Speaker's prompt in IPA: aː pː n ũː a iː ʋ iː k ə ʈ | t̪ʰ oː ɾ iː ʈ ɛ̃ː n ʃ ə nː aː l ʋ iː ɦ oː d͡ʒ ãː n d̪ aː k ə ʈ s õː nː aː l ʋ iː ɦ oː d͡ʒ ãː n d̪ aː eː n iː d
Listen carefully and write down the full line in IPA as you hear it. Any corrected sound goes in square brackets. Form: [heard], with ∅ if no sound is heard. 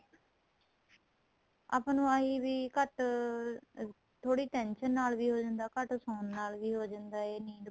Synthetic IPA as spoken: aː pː n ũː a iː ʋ iː k ə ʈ | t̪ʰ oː [ɽ] iː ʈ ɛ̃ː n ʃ ə nː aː l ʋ iː ɦ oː d͡ʒ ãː n d̪ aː k ə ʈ s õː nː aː l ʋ iː ɦ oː d͡ʒ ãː n d̪ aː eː n iː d

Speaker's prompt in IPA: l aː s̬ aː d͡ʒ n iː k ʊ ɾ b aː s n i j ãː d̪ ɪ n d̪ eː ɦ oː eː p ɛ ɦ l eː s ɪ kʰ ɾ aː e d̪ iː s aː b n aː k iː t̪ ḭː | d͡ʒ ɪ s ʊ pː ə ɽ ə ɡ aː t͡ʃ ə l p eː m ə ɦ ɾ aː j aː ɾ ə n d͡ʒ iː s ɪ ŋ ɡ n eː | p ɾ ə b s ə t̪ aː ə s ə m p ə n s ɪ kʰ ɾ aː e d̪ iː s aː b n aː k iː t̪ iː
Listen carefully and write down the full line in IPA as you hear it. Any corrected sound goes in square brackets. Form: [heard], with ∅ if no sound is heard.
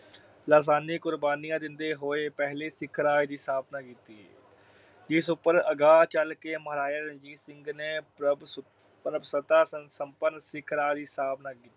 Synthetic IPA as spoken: l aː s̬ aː [∅] n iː k ʊ ɾ b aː [∅] n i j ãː d̪ ɪ n d̪ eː ɦ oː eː p ɛ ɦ l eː s ɪ kʰ ɾ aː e d̪ iː s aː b n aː k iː t̪ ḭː | d͡ʒ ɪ s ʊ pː ə [ɾ] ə ɡ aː t͡ʃ ə l [k] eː m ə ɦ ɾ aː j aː ɾ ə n d͡ʒ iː s ɪ ŋ ɡ n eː | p ɾ ə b s ə t̪ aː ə s ə m p ə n s ɪ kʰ ɾ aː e d̪ iː s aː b n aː k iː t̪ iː

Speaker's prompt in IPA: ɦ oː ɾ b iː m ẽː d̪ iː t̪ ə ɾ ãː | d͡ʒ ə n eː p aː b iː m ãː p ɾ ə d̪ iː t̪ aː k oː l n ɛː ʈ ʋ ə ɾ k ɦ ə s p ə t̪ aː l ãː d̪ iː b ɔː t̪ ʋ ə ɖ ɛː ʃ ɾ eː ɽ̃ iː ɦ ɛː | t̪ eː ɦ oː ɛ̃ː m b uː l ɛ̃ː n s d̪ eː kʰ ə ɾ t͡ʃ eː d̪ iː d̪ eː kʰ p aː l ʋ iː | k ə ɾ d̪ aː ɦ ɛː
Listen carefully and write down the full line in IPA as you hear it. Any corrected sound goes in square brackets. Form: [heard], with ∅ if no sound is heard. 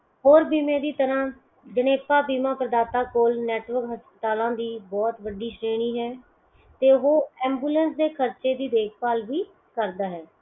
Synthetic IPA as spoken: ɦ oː ɾ b iː m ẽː d̪ iː t̪ ə ɾ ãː | d͡ʒ ə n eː p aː b iː m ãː p ɾ ə d̪ [aː] t̪ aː k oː l n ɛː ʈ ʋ ə ɾ k ɦ ə s p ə t̪ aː l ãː d̪ iː b ɔː t̪ ʋ ə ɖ [iː] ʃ ɾ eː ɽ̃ iː ɦ ɛː | t̪ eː ɦ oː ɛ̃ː m b uː l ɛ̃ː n s d̪ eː kʰ ə ɾ t͡ʃ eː d̪ iː d̪ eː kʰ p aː l ʋ iː | k ə ɾ d̪ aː ɦ ɛː

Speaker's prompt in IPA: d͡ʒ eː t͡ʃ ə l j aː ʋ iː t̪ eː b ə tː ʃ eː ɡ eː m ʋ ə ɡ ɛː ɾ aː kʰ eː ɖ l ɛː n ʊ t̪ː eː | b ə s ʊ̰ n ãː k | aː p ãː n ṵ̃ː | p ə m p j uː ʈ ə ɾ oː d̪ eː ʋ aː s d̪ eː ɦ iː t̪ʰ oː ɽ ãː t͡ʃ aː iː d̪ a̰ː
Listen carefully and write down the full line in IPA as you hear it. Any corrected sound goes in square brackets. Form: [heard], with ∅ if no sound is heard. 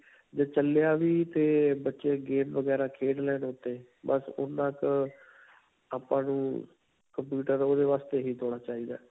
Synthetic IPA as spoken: d͡ʒ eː t͡ʃ ə l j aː ʋ iː t̪ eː b ə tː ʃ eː ɡ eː m ʋ ə ɡ ɛː ɾ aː kʰ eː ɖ l ɛː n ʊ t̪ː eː | b ə s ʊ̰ n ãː k | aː p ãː n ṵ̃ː | [k] ə m p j uː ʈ ə ɾ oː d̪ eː ʋ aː s [t̪] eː ɦ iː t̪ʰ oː ɽ [aː] t͡ʃ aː iː d̪ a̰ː

